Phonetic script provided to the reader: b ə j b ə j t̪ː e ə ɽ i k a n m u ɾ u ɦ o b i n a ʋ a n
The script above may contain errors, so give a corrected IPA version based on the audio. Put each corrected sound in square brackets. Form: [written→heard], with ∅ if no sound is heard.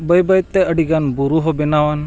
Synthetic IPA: b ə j b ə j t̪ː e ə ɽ i [k→ɡ] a n [m→b] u ɾ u ɦ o b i n a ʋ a n